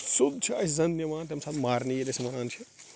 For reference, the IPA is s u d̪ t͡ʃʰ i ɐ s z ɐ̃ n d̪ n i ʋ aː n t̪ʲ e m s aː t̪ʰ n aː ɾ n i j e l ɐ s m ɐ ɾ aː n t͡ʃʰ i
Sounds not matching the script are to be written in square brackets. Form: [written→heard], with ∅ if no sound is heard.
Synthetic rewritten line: s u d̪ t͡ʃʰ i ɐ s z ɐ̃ n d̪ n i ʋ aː n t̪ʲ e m s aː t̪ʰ [n→m] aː ɾ n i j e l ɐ s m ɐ ɾ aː n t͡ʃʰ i